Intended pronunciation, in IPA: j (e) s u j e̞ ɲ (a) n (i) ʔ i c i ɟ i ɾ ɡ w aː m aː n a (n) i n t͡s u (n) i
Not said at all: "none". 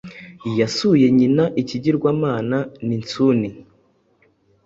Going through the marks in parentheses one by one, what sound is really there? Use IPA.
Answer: a, i, a, n, n

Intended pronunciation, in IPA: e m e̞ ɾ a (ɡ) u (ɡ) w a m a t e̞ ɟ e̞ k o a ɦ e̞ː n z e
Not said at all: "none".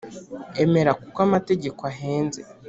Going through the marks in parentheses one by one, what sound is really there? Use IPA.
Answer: k, k

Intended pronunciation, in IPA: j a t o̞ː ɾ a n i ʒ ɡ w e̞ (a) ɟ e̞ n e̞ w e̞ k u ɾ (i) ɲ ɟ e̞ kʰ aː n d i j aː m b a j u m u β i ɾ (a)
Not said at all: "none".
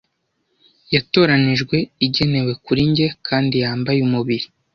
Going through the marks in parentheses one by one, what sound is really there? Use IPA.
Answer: i, i, i

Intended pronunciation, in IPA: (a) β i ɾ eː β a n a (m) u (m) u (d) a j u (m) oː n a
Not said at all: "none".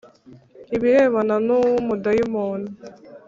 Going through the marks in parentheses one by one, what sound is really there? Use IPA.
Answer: i, n, m, d, m

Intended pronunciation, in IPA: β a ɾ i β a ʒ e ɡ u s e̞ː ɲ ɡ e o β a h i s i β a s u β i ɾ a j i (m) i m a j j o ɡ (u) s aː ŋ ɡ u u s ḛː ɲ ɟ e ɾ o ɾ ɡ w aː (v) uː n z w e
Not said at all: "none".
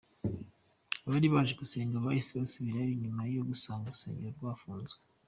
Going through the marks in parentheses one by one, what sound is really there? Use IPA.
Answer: ɲ, u, f

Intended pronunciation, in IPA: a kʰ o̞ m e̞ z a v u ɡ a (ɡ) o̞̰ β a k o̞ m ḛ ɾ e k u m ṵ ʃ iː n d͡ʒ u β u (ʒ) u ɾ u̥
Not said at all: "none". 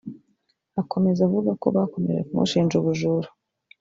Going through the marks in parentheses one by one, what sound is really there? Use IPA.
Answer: k, ʒ

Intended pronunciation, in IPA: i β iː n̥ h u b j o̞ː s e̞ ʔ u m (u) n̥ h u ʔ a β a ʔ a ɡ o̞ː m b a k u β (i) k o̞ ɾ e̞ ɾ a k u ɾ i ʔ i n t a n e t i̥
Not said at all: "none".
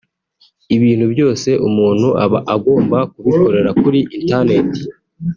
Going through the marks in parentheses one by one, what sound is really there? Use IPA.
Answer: uː, i

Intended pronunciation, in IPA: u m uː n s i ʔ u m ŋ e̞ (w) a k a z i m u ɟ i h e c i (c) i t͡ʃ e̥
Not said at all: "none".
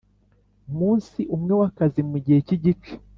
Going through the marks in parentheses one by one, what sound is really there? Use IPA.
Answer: w, ɟ

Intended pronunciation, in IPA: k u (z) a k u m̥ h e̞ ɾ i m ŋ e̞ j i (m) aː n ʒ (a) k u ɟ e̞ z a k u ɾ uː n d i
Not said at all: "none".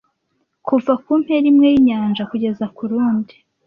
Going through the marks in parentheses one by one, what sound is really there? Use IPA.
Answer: v, ɲ, a

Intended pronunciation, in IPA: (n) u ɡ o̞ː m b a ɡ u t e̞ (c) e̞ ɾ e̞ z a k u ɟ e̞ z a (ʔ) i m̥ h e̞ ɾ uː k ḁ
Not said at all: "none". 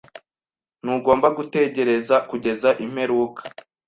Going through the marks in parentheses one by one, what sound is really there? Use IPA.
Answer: n, ɟ, ʔ

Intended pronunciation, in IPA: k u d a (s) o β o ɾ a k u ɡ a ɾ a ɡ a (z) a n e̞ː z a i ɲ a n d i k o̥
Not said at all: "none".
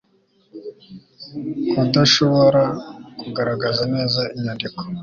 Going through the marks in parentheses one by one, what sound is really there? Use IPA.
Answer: ʃ, z

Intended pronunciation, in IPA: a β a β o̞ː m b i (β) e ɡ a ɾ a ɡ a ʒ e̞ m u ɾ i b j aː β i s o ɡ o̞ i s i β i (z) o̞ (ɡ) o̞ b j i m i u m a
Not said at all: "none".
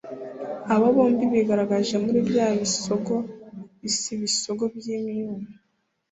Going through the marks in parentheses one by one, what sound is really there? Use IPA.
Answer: β, s, ɡ

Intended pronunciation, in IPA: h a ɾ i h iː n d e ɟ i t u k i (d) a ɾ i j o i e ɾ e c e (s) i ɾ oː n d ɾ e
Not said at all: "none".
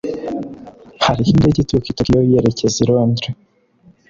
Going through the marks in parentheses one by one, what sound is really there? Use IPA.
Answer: t, z

